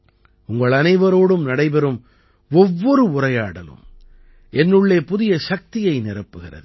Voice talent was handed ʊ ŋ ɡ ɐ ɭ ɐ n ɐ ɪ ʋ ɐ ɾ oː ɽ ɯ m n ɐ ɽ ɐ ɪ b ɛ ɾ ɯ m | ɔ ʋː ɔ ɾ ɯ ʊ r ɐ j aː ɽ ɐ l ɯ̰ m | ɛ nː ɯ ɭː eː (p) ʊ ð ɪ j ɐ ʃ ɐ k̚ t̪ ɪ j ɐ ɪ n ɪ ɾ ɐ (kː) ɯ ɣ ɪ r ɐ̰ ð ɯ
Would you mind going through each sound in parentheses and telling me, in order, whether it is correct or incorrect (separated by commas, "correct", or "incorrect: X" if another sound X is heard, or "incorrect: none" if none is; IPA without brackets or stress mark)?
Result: correct, incorrect: pː